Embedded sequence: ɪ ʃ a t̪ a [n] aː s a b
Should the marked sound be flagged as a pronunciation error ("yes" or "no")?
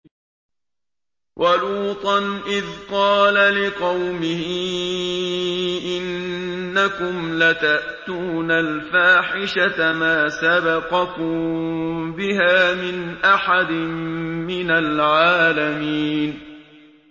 yes